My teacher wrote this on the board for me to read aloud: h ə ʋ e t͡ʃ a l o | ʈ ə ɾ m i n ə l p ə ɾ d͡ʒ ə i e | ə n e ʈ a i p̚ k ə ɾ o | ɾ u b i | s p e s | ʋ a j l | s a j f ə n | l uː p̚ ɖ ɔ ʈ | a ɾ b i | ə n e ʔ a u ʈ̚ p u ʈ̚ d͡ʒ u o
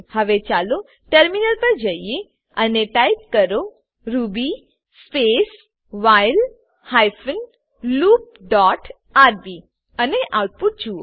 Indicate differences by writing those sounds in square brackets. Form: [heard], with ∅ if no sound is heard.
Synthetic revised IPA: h ə ʋ e t͡ʃ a l o | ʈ ə ɾ m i n ə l p ə ɾ d͡ʒ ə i e | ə n e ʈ a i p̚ k ə ɾ o | ɾ u b i | s p e s | ʋ a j l | [h] a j f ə n | l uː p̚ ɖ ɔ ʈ | a ɾ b i | ə n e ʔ a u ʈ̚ p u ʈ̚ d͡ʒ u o